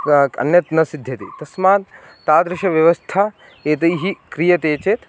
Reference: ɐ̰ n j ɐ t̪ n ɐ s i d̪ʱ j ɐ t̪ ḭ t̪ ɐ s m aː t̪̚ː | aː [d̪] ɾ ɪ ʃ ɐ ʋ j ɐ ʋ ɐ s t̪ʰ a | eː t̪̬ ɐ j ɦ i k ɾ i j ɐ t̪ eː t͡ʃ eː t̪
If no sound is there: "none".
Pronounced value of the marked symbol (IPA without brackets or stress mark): d̪